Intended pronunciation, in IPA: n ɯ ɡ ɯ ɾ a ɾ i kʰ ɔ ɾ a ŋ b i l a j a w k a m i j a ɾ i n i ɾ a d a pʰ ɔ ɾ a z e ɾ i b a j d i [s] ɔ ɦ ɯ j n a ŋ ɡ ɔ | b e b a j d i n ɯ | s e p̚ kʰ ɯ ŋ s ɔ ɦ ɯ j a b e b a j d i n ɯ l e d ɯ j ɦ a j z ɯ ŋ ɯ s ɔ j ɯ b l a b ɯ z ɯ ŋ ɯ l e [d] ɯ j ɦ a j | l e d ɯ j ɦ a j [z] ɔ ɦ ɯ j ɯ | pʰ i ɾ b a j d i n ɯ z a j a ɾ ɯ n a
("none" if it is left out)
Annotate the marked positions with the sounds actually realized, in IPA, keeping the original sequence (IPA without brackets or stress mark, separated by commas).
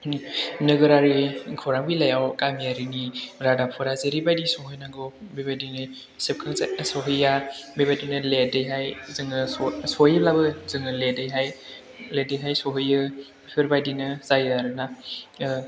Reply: s, d, s